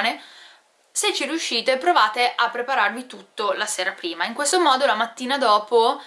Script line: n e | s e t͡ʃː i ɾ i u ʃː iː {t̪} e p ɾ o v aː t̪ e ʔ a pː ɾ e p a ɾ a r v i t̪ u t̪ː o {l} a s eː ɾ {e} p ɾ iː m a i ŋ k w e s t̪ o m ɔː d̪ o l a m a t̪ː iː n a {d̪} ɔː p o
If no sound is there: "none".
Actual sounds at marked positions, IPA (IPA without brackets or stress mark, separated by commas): t̪, l, a, d̪